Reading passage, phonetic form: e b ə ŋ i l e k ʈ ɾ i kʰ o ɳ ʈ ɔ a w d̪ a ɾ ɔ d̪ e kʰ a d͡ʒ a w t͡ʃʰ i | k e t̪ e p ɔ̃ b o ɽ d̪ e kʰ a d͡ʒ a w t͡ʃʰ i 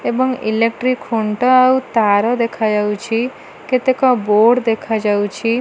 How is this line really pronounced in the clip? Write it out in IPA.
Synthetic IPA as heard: e b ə ŋ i l e k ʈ ɾ i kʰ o ɳ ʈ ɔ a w t̪ a ɾ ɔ d̪ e kʰ a d͡ʒ a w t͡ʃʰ i | k e t̪ e k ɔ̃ b o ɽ d̪ e kʰ a d͡ʒ a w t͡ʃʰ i